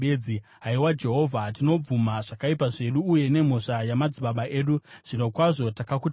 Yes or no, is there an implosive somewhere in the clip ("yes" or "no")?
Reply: yes